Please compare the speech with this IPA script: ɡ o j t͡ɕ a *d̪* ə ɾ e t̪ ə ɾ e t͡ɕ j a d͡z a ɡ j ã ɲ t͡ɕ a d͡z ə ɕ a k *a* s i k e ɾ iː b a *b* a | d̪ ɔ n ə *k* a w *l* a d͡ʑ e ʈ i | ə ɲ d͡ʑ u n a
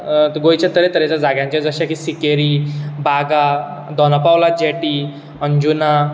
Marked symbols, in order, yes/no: no, no, no, no, yes

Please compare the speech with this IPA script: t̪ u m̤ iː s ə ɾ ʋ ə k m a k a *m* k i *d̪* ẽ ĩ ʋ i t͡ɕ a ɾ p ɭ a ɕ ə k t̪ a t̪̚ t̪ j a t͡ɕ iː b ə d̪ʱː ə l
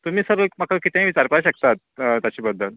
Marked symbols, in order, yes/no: no, no

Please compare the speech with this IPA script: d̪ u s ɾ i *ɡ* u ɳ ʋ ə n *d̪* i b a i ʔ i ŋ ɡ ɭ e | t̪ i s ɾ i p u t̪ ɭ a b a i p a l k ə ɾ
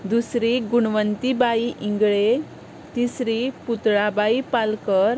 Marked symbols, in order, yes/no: yes, no

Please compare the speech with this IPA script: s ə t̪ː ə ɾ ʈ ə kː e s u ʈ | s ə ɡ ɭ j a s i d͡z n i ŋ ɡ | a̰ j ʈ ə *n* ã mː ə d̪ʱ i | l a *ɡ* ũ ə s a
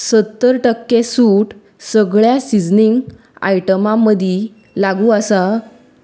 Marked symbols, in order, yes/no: no, yes

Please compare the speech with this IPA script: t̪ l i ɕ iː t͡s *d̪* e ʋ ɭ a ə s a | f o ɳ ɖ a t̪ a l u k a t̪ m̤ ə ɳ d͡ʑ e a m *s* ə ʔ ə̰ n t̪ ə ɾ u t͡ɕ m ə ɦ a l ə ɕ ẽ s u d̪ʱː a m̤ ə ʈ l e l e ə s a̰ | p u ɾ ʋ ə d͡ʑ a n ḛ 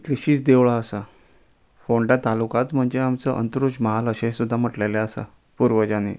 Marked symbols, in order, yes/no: yes, no

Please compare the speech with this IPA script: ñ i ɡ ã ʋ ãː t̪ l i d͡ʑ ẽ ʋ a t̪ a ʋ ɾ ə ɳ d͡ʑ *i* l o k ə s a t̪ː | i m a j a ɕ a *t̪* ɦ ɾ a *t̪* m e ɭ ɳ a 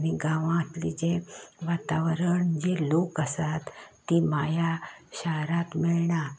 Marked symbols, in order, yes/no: no, no, yes

